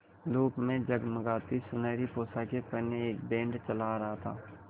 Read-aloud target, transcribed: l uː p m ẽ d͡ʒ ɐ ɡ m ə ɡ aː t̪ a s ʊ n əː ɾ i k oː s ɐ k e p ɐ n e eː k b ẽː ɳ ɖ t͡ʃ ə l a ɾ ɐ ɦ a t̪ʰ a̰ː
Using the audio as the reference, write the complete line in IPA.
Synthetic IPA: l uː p m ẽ d͡ʒ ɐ ɡ m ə ɡ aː t̪ i s ʊ n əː ɾ i p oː s a k e p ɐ n e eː k b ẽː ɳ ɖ t͡ʃ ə l a ɾ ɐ ɦ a t̪ʰ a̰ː